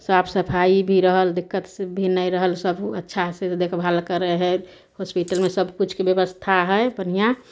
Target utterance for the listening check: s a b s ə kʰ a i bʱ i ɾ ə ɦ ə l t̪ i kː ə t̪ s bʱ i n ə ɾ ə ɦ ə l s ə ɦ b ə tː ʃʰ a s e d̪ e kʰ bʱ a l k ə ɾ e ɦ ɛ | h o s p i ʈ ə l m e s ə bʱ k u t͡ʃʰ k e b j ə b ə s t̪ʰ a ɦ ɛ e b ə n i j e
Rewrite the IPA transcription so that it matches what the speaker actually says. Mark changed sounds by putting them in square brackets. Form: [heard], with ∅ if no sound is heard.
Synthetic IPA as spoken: s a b s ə [pʰ] a i bʱ i ɾ ə ɦ ə l [d̪] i kː ə t̪ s bʱ i n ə ɾ ə ɦ ə l s ə [∅] b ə tː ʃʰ a s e d̪ e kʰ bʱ a l k ə ɾ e ɦ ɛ | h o s p i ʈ ə l m e s ə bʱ k u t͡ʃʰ k e b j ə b ə s t̪ʰ a ɦ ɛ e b ə n i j [a]